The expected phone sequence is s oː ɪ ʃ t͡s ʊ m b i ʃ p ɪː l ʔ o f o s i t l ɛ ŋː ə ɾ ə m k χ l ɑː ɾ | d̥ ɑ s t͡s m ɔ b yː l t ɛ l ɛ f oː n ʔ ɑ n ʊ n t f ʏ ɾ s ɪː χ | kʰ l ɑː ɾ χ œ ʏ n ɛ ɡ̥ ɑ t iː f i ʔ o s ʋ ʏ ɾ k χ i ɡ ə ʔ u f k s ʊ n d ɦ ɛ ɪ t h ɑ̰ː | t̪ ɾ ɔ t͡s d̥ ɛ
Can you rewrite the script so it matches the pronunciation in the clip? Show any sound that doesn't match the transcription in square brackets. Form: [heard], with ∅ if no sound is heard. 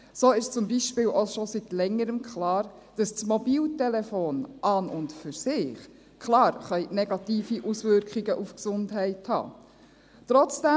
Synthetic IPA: s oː ɪ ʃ t͡s ʊ m b i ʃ p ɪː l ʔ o [ʃ] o s i t l ɛ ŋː ə ɾ ə m k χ l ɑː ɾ | d̥ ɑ s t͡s m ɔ b [iː] l t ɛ l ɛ f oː n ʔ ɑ n ʊ n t f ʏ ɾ s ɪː χ | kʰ l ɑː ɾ χ œ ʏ n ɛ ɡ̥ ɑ t iː f i ʔ [u] s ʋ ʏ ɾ k χ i ɡ ə ʔ u f k s ʊ n d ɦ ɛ ɪ t h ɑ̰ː | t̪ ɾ ɔ t͡s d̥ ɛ

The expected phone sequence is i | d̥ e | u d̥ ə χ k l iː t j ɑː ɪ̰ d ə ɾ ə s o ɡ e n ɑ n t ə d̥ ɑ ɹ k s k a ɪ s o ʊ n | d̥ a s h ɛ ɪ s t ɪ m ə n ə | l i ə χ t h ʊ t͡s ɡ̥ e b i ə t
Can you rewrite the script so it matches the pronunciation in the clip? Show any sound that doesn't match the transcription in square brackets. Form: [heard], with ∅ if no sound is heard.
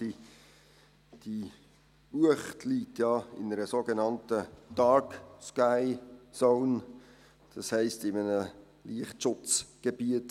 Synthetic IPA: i | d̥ [i] | u [∅] ə χ [t] l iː t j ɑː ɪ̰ [n] ə ɾ ə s o ɡ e n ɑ n t ə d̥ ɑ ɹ k s k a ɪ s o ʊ n | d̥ [ɑ] s h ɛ ɪ s t ɪ m ə n ə | l i ə χ t [ʃ] ʊ t͡s ɡ̥ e b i ə t

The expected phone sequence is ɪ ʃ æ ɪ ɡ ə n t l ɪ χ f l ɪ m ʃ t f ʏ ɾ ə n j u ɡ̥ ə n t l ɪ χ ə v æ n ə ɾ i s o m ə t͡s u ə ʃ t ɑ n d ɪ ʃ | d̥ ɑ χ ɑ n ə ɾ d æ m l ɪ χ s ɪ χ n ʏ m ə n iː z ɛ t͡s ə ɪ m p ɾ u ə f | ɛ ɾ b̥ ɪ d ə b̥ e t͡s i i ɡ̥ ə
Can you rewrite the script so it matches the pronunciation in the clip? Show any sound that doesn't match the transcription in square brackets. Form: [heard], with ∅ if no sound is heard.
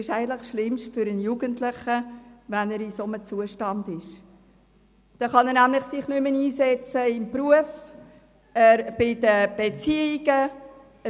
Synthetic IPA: ɪ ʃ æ ɪ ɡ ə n t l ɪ χ [ʃ] l ɪ m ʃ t f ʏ ɾ ə n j u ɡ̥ ə n t l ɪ χ ə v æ n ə ɾ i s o m ə t͡s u ə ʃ t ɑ n d ɪ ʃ | d̥ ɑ χ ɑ n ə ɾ [n] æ m l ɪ χ s ɪ χ n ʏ m ə n iː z ɛ t͡s ə ɪ m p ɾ u ə f | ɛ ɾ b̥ ɪ d ə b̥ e t͡s i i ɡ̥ ə

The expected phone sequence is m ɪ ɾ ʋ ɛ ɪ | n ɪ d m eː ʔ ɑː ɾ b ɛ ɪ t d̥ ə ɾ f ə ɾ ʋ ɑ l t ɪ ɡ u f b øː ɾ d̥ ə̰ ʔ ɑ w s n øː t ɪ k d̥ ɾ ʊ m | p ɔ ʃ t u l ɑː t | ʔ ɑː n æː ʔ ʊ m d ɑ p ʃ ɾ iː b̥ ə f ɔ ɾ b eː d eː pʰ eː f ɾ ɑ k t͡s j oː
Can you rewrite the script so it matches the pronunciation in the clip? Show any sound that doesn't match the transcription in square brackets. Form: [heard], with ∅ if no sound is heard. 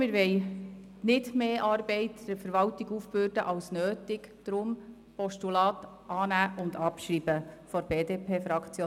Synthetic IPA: m ɪ ɾ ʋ ɛ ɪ | n ɪ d m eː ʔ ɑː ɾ b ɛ ɪ t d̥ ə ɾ f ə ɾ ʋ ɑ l t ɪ ɡ u f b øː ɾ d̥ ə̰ ʔ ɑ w s n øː t ɪ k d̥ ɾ ʊ m | p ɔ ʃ t u l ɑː t | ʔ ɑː n æː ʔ ʊ [n] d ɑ p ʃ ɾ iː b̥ ə f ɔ ɾ b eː d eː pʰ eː f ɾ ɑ k t͡s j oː

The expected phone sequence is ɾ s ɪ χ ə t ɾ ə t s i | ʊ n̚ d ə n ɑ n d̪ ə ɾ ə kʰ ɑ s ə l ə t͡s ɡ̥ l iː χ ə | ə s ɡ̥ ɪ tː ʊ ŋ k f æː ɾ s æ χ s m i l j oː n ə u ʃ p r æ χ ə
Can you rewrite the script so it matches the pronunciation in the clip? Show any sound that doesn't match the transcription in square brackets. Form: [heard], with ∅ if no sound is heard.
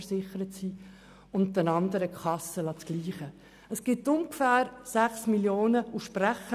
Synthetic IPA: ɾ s ɪ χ ə [∅] ɾ ə t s i | ʊ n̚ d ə n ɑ n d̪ ə ɾ ə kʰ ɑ s ə l [ɑ] t͡s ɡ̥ l iː χ ə | ə s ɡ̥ ɪ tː ʊ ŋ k f æː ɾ s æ χ s m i l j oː n ə u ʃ p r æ χ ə

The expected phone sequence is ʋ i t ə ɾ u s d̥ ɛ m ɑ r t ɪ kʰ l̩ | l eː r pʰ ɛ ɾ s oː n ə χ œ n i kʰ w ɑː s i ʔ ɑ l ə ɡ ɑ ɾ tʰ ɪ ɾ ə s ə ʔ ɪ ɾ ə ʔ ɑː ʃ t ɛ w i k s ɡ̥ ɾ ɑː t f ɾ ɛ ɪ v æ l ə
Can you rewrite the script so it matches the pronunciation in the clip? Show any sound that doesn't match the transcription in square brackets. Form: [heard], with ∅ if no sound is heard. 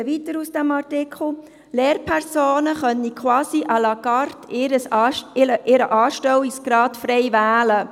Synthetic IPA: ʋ i t ə ɾ u s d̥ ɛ m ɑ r t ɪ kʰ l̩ | l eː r pʰ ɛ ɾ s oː n ə χ œ n i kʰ w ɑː s i ʔ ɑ l [ɑ] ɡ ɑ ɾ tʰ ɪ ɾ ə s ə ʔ ɪ ɾ ə ʔ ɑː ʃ t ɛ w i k s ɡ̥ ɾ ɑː t f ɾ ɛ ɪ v [æː] l ə

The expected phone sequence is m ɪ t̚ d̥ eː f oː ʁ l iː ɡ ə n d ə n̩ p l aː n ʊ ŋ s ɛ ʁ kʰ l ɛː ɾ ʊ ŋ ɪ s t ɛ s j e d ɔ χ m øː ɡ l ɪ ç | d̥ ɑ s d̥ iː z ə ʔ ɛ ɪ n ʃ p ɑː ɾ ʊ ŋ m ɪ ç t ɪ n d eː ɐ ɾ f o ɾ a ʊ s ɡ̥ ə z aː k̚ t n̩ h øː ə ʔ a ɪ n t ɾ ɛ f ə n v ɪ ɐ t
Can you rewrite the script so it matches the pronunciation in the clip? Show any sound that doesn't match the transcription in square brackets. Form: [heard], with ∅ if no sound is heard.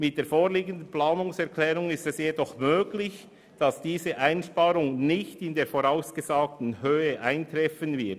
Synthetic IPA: m ɪ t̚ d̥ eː f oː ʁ l iː ɡ ə n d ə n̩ p l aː n ʊ ŋ s ɛ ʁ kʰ l ɛː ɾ ʊ ŋ ɪ s t ɛ s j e d ɔ χ m øː ɡ l ɪ ç | d̥ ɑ s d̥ iː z ə ʔ [a] ɪ n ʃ p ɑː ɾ ʊ ŋ [n] ɪ ç t ɪ n d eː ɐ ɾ f o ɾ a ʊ s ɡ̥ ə z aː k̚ t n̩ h øː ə ʔ a ɪ n t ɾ ɛ f ə n v ɪ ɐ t

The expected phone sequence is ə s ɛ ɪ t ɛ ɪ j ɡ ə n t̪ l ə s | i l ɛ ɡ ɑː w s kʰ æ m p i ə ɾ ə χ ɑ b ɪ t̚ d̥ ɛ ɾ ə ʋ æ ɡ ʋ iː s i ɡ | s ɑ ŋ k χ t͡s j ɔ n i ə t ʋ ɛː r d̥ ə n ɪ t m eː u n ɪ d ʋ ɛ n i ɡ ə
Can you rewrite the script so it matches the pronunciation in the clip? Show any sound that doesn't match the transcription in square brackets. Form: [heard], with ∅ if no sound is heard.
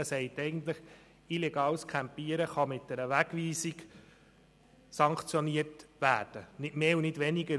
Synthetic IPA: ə s ɛ ɪ t ɛ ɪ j ɡ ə n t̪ l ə [χ] | i l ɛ ɡ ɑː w s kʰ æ m p i ə ɾ ə χ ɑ [m] ɪ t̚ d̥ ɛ ɾ ə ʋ æ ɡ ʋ iː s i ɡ | s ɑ ŋ k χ t͡s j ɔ n i ə t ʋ [æː] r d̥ ə n ɪ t m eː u n ɪ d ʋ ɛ n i ɡ ə

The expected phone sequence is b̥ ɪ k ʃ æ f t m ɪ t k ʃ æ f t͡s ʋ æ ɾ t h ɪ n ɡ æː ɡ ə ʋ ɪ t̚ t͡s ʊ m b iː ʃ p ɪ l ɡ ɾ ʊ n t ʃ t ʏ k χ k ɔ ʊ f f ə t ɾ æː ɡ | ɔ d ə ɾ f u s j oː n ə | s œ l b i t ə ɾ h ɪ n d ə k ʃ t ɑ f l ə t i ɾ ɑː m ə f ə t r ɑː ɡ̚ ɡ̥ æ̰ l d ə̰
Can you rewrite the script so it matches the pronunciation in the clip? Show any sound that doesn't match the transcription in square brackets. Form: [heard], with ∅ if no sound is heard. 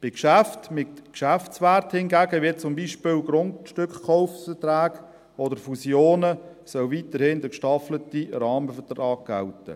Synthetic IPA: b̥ ɪ k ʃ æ f t m ɪ t k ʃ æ f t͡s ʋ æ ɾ t h ɪ n ɡ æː ɡ ə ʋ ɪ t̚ t͡s ʊ m b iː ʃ p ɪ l ɡ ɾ ʊ n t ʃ t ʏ k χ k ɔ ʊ f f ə t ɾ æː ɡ | ɔ d ə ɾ f u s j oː n ə | s œ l [v] i t ə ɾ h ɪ n d ə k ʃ t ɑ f l ə t i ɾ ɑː m ə f ə t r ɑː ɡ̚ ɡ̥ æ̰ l [t] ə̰

